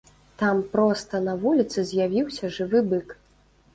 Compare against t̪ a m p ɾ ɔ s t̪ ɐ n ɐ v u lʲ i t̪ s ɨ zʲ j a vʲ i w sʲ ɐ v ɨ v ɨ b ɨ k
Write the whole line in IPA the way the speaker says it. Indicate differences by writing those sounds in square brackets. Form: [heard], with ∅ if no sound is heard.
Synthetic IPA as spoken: t̪ a m p ɾ ɔ s t̪ ɐ n ɐ v u lʲ i t̪ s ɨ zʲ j a vʲ i w sʲ ɐ [ʐ] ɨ v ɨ b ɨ k